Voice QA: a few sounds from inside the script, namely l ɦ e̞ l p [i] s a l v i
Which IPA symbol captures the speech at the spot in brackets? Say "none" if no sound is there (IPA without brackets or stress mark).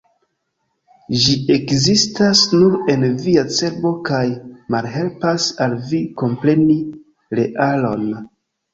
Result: a